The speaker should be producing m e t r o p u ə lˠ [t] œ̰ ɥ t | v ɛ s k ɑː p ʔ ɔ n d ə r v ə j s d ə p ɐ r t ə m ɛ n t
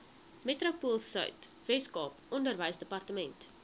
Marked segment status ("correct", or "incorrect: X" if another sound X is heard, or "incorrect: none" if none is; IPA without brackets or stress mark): incorrect: s